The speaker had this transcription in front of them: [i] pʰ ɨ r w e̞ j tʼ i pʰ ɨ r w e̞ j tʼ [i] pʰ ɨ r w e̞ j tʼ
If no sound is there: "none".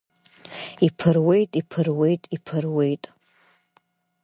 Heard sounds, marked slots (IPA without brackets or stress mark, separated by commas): i, i